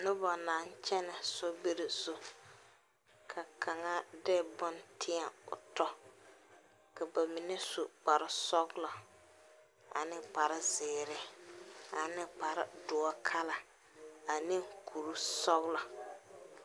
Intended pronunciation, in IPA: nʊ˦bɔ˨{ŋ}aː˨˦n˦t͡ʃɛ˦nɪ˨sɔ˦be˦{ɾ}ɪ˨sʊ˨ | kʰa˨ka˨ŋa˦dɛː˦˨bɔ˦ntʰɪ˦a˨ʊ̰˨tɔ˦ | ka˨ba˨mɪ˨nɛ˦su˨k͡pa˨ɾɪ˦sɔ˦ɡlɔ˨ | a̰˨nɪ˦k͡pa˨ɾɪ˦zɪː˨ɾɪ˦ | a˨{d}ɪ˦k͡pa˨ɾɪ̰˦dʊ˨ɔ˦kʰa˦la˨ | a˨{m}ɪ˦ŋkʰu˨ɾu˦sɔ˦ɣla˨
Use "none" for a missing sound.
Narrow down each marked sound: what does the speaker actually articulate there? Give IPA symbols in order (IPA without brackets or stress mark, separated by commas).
n, ɾ, n, n